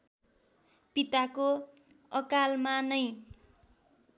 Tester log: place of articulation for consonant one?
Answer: labial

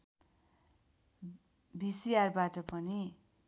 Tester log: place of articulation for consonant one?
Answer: labial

